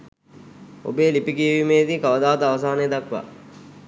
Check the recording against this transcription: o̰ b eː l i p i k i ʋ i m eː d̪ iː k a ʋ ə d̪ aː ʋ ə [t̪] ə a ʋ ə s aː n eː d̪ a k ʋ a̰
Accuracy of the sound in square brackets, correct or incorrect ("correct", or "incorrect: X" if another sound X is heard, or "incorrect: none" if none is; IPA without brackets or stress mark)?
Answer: correct